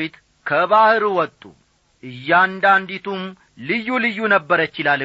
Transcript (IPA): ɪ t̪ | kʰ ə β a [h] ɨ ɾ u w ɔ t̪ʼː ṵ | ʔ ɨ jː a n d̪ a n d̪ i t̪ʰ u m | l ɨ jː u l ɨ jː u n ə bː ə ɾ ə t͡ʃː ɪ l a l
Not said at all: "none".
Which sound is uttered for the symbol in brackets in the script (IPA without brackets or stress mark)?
h